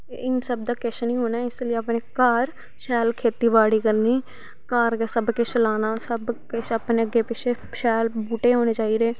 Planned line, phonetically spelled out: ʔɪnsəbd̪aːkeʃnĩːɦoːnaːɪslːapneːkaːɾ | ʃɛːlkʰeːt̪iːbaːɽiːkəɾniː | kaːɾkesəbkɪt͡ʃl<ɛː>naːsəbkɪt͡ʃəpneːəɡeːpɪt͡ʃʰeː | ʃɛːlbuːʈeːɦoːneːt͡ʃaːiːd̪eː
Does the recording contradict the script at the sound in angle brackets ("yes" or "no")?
yes